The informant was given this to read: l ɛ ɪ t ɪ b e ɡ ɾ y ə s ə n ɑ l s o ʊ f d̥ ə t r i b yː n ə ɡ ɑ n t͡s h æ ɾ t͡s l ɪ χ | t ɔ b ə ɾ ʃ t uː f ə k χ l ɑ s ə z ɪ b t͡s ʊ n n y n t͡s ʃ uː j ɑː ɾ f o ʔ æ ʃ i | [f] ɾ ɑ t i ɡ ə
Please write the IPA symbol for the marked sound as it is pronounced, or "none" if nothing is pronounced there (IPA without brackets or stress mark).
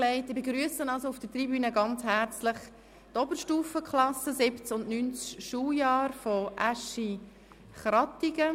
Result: χ